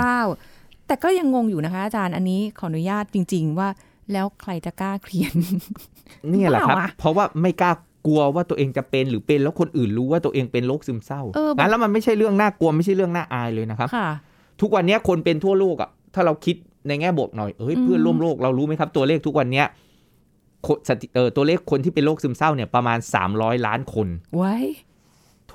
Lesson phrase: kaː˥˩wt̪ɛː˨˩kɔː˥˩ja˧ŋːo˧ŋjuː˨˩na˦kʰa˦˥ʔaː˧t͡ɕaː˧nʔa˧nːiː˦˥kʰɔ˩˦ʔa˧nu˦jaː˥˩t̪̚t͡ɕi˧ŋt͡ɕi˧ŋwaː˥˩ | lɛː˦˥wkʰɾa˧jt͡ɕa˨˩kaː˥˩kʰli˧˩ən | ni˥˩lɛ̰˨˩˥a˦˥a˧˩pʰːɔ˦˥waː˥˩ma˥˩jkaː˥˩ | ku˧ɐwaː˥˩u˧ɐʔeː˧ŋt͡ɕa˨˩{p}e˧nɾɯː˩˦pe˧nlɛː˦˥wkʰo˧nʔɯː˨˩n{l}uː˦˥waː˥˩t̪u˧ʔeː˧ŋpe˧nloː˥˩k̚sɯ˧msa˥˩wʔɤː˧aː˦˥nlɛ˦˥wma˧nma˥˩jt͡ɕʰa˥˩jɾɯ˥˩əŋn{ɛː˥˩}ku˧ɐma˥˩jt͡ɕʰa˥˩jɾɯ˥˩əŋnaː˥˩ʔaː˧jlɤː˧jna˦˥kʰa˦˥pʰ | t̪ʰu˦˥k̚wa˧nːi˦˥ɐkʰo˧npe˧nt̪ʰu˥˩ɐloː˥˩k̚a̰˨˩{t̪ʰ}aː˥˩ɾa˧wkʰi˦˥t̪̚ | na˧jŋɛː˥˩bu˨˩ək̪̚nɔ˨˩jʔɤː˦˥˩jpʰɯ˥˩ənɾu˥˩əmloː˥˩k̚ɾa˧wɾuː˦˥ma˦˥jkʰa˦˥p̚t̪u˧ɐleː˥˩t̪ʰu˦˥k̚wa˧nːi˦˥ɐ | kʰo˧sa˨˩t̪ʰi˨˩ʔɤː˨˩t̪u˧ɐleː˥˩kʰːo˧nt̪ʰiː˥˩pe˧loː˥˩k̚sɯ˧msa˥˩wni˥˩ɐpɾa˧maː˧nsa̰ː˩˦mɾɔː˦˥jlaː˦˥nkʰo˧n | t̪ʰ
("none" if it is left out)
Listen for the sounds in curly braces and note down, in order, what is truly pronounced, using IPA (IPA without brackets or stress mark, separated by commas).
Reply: p, ɾ, aː˥˩, t̪ʰ